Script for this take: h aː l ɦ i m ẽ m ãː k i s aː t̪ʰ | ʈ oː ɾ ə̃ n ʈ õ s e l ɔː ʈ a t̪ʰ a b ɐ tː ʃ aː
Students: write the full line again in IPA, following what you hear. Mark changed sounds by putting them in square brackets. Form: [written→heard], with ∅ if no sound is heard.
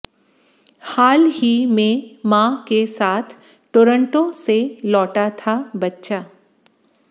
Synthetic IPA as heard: h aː l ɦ i m ẽ m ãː k [i→e] s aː t̪ʰ | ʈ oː ɾ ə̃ [n→ɳ] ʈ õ s e l ɔː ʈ a t̪ʰ a b ɐ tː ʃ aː